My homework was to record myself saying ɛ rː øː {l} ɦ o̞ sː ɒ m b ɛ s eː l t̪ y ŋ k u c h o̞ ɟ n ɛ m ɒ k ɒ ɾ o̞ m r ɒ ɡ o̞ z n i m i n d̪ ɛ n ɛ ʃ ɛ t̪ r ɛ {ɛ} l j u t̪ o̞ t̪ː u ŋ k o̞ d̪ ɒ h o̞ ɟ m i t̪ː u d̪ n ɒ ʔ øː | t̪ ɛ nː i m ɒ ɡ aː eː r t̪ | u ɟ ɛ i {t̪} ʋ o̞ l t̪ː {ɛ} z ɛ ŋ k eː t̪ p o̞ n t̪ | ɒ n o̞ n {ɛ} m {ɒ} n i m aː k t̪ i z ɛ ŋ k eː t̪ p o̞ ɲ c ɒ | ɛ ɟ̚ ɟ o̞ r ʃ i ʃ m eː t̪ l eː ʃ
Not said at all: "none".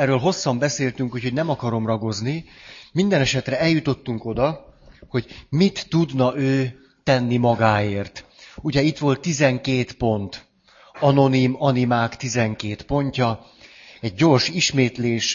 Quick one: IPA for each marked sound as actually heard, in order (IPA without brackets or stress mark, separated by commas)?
l, ɛ, t̪, i, i, ɒ